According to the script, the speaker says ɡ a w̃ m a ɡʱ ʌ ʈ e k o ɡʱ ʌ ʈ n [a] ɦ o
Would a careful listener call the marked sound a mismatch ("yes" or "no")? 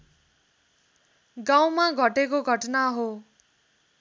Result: no